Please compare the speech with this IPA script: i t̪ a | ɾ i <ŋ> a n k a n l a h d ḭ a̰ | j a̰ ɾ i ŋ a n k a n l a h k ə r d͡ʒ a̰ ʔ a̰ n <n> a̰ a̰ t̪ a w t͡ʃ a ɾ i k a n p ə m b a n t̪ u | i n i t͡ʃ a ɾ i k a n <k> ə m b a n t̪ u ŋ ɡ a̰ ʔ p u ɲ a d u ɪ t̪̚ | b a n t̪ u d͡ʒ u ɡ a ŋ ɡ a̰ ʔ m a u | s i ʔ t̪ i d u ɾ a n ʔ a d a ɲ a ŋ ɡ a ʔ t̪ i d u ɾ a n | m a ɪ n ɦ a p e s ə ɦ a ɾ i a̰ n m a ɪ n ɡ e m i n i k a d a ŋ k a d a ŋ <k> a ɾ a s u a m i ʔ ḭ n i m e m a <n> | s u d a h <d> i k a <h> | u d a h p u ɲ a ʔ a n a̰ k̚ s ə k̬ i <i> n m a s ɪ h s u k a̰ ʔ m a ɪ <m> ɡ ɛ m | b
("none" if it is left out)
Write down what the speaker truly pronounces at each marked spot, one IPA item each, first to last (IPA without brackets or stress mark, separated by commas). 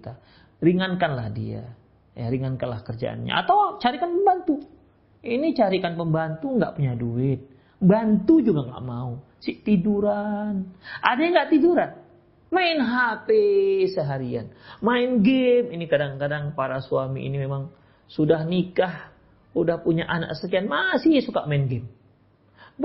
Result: ŋ, ɲ, p, p, ŋ, n, h, a, n